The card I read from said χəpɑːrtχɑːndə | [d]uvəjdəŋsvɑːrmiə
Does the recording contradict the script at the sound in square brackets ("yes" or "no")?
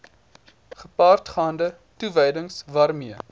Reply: yes